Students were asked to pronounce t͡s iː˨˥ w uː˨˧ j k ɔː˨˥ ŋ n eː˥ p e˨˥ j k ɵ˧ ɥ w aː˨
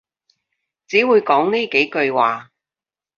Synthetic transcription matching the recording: t͡s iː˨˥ w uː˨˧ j k ɔː˨˥ ŋ n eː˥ k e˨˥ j k ɵ˧ ɥ w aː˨